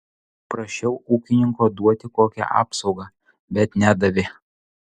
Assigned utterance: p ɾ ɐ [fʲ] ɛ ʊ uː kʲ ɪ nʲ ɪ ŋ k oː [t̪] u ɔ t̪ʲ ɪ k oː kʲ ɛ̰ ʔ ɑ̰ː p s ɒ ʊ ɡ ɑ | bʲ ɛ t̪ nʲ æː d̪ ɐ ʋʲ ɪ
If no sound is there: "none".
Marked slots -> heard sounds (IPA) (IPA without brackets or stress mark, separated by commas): ʃʲ, d̪